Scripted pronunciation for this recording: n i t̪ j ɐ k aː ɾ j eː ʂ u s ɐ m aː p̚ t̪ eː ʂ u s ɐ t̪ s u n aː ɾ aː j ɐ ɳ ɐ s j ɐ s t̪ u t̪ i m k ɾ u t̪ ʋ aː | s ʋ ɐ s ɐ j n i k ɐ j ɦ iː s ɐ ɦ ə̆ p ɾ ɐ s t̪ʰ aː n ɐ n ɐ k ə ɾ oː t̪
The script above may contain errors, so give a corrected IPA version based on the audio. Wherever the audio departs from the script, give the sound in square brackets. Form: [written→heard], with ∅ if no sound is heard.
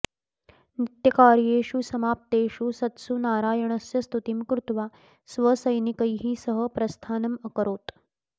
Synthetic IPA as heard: n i t̪ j ɐ k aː ɾ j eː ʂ u s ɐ m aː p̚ t̪ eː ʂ u s ɐ t̪ s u n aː ɾ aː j ɐ ɳ ɐ s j ɐ s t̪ u t̪ i m k ɾ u t̪ ʋ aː | s ʋ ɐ s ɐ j n i k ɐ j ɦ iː s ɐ ɦ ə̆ p ɾ ɐ s t̪ʰ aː n ɐ [n→m] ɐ k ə ɾ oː t̪

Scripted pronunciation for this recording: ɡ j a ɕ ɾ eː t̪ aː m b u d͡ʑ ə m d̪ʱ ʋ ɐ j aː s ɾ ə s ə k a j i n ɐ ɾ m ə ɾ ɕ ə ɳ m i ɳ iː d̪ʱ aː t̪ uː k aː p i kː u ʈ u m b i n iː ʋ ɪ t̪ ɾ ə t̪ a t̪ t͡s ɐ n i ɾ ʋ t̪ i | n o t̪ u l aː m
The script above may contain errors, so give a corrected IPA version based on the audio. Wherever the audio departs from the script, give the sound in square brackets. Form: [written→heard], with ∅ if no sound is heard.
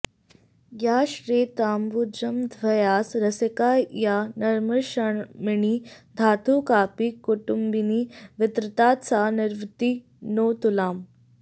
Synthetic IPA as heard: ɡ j a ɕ ɾ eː t̪ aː m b u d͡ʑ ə m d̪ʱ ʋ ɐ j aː s ɾ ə s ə k a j [i→a] n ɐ ɾ m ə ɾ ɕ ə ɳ m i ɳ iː d̪ʱ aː t̪ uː k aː p i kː u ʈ u m b i n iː ʋ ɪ t̪ ɾ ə t̪ a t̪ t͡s [ɐ→a] n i ɾ ʋ t̪ i | n o t̪ u l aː m

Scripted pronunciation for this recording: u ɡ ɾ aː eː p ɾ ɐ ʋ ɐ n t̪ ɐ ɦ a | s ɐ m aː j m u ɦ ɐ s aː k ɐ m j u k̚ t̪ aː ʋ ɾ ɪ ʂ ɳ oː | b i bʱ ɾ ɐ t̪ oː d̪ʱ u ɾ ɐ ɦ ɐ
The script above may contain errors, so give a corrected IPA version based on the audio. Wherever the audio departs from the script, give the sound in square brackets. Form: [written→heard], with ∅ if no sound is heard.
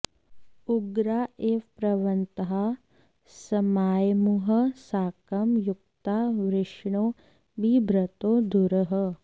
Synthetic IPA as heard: u ɡ ɾ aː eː p ɾ ɐ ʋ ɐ n t̪ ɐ ɦ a | s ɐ m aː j m u ɦ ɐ s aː k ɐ m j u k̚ t̪ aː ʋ ɾ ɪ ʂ ɳ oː | b i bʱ ɾ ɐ t̪ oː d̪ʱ u ɾ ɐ ɦ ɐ

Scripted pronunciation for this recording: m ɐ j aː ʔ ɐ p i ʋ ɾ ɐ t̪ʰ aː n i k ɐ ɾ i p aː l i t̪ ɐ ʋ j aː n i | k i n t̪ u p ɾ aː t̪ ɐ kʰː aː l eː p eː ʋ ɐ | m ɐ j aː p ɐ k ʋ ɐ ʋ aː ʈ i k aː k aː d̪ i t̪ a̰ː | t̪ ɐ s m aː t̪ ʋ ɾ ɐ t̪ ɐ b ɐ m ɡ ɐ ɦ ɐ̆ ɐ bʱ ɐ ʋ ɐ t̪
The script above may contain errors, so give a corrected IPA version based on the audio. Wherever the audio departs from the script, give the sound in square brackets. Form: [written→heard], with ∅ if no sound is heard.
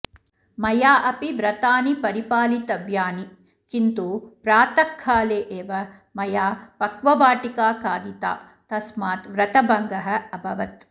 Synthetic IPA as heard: m ɐ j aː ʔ ɐ p i ʋ ɾ ɐ [t̪ʰ→t̪] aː n i [k→p] ɐ ɾ i p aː l i t̪ ɐ ʋ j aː n i | k i n t̪ u p ɾ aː t̪ ɐ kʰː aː l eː [p→ʔ] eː ʋ ɐ | m ɐ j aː p ɐ k ʋ ɐ ʋ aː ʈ i k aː k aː d̪ i t̪ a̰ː | t̪ ɐ s m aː t̪ ʋ ɾ ɐ t̪ ɐ b ɐ [m→ŋ] ɡ ɐ ɦ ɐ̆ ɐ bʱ ɐ ʋ ɐ t̪

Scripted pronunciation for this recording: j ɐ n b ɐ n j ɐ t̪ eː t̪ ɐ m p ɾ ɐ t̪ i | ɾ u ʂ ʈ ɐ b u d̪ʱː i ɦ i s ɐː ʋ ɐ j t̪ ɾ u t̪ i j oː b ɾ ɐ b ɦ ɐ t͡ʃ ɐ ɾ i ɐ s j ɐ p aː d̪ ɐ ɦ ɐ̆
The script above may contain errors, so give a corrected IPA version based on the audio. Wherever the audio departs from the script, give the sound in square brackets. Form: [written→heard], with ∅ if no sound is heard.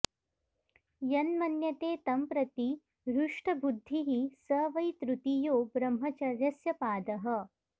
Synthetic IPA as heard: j ɐ n [b→m] ɐ n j ɐ t̪ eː t̪ ɐ m p ɾ ɐ t̪ i | ɾ u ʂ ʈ ɐ b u d̪ʱː i ɦ i s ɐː ʋ ɐ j t̪ ɾ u t̪ i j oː b ɾ ɐ [b→m] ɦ ɐ t͡ʃ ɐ ɾ [i→j] ɐ s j ɐ p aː d̪ ɐ ɦ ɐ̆

